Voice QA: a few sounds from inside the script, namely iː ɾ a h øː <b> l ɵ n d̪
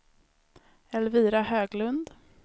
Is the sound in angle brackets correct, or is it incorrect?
incorrect